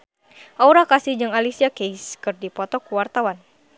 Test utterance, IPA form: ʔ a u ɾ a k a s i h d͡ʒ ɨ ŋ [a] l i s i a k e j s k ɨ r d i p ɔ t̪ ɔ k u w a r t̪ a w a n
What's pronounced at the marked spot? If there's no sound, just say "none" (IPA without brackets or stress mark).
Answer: a